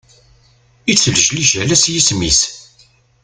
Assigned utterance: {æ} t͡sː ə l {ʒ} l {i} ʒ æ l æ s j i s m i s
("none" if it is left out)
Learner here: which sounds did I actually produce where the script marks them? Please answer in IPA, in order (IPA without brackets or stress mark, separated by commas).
i, ʒ, i